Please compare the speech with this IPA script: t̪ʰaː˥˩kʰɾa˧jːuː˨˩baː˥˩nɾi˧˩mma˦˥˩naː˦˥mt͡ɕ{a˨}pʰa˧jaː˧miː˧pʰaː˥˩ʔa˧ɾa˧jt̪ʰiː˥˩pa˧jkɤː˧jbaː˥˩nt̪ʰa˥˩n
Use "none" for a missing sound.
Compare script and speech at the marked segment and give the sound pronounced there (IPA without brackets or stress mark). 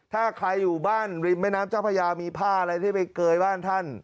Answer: a˦˥˩